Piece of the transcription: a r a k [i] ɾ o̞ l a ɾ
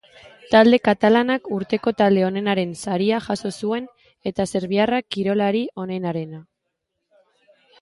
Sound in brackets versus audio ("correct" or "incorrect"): correct